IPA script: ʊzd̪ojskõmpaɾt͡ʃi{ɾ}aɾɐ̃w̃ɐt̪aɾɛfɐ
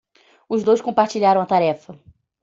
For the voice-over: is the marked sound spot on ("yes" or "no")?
no